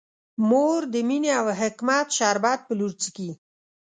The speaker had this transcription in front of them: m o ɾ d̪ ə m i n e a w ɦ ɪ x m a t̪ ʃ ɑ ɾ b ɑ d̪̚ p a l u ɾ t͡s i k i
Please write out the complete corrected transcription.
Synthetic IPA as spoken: m o ɾ d̪ ə m i n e a w ɦ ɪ k m a t̪ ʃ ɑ ɾ b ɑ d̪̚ p ə l u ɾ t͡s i k i